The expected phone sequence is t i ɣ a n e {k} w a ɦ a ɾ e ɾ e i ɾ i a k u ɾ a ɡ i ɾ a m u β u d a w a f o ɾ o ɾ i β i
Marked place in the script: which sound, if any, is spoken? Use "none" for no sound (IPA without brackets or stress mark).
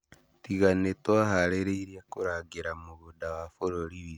t